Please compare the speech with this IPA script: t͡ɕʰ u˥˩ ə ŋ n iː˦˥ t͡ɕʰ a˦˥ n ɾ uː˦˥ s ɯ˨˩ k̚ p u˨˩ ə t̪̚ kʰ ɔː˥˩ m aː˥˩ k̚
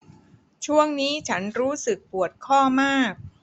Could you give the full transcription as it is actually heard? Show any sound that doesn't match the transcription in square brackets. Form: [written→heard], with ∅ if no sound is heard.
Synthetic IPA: t͡ɕʰ u˥˩ ə ŋ n iː˦˥ t͡ɕʰ a˦˥ n ɾ uː˦˥ s ɯ˨˩ k̚ p u˨˩ ə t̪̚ kʰ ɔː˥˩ m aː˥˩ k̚